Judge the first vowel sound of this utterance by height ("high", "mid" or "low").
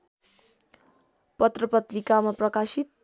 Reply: mid